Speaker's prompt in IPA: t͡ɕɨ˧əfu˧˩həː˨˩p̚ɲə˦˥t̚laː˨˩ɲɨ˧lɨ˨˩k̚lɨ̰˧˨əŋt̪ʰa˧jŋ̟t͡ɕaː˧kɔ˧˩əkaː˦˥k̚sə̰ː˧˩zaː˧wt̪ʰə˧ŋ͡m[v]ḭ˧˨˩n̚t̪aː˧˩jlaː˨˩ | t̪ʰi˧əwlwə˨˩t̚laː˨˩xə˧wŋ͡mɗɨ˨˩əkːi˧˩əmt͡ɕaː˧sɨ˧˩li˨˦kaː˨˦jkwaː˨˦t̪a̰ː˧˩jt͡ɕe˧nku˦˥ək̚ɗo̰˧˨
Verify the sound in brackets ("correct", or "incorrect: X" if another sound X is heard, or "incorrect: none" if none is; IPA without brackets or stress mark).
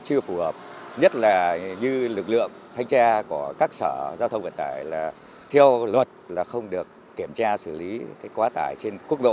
correct